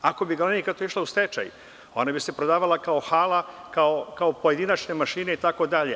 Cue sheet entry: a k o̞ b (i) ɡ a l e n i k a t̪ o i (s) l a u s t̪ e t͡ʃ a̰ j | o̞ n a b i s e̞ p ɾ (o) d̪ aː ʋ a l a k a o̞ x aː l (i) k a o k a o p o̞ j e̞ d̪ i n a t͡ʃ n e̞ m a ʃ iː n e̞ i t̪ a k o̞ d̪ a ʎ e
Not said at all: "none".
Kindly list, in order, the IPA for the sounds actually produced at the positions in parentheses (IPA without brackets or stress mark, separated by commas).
i, ʃ, o, a